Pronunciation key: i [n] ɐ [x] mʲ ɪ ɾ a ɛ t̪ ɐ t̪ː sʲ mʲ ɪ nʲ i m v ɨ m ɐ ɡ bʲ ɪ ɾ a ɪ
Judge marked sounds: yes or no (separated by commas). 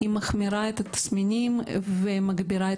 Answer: no, yes